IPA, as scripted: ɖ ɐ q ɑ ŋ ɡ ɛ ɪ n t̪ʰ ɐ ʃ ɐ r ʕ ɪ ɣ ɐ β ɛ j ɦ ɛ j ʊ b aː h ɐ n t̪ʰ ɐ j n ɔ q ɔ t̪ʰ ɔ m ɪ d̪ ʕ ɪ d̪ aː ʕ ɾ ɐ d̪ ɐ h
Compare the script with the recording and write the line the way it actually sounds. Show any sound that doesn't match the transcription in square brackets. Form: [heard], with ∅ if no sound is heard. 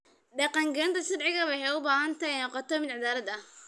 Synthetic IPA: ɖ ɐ q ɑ ŋ ɡ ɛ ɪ n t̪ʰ ɐ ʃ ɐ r ʕ ɪ ɣ ɐ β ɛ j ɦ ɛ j ʊ b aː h ɐ n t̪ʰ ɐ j n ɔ q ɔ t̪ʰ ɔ m ɪ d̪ ʕ ɪ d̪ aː [∅] ɾ ɐ d̪ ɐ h